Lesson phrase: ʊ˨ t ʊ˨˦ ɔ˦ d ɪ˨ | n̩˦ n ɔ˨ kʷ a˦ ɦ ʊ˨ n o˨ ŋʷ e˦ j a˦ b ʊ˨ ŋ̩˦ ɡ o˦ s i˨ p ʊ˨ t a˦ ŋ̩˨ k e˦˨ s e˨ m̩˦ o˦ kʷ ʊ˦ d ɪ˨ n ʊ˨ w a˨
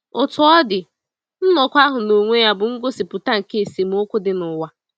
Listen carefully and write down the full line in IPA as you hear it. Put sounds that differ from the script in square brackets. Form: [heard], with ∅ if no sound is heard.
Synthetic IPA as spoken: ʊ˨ t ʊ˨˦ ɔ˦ d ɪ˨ | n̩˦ n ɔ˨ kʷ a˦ ɦ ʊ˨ n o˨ ŋʷ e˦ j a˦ b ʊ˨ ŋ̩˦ ɡ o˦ s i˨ p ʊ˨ t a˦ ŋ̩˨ k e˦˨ s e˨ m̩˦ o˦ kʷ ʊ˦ d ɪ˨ n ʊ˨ w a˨